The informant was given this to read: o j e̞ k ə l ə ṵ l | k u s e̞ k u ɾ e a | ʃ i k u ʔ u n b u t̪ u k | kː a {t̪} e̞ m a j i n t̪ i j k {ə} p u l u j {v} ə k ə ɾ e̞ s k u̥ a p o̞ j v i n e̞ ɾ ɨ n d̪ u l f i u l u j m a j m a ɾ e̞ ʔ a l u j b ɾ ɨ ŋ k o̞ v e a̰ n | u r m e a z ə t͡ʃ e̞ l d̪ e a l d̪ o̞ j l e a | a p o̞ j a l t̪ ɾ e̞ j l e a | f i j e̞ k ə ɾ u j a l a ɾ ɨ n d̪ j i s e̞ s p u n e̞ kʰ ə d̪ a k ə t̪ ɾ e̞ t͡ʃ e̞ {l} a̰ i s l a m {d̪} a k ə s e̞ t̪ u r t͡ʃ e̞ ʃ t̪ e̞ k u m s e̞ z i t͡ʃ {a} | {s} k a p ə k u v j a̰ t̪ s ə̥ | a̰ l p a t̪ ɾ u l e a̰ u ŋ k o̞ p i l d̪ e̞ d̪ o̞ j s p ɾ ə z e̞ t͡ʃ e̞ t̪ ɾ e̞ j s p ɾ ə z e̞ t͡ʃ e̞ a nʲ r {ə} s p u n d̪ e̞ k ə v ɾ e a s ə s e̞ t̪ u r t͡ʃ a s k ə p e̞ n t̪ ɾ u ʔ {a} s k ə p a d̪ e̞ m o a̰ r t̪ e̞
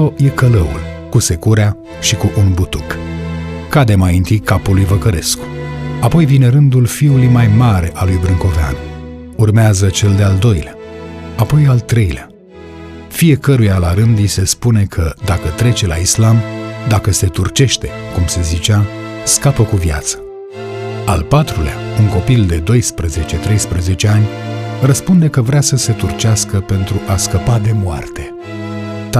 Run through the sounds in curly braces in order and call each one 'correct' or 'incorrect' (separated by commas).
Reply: incorrect, incorrect, correct, correct, correct, correct, correct, correct, correct